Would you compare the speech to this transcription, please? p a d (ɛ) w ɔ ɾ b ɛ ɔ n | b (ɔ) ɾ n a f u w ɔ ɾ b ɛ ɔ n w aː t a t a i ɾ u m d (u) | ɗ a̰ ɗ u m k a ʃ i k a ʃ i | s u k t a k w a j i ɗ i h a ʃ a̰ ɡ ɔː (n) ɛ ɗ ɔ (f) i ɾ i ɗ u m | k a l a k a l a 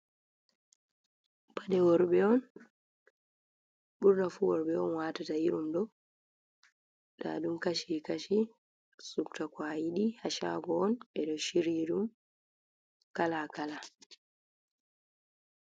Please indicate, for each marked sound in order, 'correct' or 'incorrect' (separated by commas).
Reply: correct, incorrect, incorrect, correct, incorrect